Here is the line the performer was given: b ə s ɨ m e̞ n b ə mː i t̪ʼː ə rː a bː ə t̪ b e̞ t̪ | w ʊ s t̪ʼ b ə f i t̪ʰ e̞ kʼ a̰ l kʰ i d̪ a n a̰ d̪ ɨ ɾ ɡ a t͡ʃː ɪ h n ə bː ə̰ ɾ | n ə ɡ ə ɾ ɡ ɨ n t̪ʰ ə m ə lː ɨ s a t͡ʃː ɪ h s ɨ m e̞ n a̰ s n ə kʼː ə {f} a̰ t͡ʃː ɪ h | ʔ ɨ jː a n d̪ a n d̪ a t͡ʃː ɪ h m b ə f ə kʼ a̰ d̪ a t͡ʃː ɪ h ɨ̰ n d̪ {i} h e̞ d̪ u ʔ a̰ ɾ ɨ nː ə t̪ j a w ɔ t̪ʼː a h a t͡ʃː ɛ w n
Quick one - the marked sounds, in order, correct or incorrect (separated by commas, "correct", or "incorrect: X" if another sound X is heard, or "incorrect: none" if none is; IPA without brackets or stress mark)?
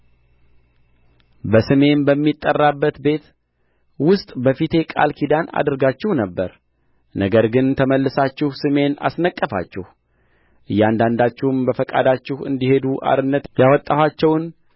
correct, correct